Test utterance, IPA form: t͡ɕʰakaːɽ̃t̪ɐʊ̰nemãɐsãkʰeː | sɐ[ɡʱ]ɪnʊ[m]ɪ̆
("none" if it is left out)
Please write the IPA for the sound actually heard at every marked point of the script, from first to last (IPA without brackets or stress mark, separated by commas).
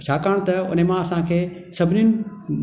bʱ, n